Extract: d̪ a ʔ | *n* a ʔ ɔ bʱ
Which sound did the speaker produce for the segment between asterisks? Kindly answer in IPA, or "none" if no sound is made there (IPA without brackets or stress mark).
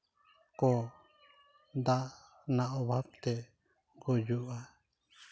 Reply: n